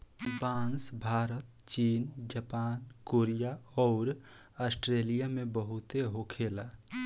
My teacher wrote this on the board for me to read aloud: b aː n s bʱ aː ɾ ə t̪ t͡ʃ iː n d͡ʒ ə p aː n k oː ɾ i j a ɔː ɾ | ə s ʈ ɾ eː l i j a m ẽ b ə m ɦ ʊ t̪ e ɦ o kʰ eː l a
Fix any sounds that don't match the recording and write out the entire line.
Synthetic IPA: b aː n s bʱ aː ɾ ə t̪ t͡ʃ iː n d͡ʒ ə p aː n k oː ɾ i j a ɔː ɾ | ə s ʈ ɾ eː l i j a m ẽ b ə ɦ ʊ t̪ e ɦ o kʰ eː l a